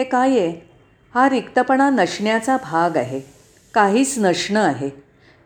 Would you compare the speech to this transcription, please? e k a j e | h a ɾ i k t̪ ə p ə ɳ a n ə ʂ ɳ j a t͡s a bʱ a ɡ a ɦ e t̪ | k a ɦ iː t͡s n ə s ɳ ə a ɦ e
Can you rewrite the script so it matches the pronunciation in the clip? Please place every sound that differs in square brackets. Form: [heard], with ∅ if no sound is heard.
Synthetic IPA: e k a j e | h a ɾ i k t̪ ə p ə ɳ a n ə ʂ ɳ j a t͡s a bʱ a ɡ a ɦ e [∅] | k a ɦ iː t͡s n ə [ʂ] ɳ ə a ɦ e